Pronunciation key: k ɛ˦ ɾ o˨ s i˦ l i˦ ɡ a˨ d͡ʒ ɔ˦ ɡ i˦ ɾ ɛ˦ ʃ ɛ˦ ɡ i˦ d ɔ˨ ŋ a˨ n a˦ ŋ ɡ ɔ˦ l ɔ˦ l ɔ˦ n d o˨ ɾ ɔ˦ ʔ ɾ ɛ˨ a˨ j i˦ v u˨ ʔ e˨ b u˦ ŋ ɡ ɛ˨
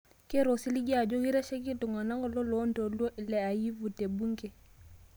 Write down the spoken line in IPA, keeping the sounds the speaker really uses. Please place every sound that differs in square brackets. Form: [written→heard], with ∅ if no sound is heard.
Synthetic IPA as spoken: k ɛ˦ ɾ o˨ s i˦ l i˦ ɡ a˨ d͡ʒ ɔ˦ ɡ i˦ ɾ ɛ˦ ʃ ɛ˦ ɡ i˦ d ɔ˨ ŋ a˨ n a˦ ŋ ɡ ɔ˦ l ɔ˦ l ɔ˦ n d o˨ [ɾ→l] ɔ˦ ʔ [ɾ→l] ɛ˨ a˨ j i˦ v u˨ [ʔ→t] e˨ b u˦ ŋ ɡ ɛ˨